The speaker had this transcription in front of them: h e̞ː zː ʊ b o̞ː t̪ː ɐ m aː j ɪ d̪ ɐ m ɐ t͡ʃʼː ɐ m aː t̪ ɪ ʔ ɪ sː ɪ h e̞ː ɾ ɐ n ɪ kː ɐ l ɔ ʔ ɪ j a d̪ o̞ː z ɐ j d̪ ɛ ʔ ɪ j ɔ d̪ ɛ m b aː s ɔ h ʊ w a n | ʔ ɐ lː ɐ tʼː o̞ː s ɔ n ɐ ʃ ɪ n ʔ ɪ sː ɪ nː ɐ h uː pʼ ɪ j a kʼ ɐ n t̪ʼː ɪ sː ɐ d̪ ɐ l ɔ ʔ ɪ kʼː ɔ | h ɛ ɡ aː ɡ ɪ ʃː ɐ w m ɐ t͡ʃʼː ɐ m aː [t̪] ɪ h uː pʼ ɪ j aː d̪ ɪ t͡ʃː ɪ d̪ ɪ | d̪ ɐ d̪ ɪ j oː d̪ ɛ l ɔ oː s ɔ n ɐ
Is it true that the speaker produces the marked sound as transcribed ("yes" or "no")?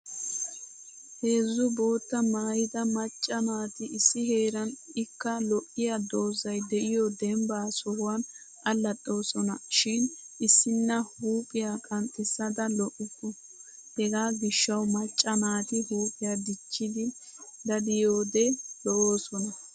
yes